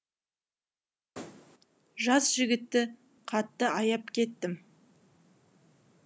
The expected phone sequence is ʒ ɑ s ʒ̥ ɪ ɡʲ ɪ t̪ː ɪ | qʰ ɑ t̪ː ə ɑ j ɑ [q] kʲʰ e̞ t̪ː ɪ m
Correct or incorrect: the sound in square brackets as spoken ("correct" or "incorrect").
incorrect